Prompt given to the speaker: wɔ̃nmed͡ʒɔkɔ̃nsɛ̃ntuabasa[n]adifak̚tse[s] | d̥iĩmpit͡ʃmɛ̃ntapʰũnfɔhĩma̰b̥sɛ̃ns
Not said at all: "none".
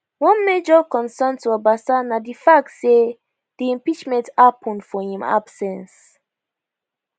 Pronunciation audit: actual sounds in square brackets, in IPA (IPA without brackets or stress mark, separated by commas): n, none